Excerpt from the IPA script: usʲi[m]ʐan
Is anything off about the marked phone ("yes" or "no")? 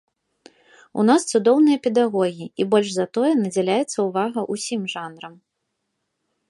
no